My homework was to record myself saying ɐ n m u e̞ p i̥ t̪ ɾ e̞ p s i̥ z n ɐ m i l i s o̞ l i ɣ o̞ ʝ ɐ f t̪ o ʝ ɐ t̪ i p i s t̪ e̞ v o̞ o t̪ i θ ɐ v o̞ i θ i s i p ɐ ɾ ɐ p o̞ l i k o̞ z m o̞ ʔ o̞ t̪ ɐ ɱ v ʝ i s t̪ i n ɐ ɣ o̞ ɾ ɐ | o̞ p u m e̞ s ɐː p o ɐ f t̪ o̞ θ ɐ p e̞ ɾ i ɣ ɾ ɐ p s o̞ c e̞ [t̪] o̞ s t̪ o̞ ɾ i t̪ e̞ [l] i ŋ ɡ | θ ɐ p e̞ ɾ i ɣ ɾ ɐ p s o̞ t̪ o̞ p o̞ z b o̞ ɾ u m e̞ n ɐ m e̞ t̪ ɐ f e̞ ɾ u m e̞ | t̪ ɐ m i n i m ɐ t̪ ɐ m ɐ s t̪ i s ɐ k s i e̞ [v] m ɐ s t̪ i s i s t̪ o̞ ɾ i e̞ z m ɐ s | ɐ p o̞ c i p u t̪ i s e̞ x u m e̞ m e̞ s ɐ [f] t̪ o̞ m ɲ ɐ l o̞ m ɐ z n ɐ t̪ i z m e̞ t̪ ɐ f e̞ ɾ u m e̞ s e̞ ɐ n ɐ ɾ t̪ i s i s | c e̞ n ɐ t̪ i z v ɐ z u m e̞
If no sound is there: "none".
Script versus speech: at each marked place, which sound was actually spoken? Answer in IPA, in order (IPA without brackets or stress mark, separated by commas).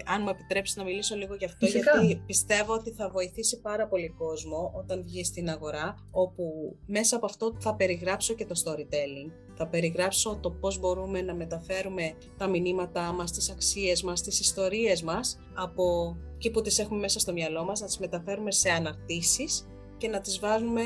t̪, l, z, s